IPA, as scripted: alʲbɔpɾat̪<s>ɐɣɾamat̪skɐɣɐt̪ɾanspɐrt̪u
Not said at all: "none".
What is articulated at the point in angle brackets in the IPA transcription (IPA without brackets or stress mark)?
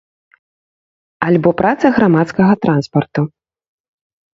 s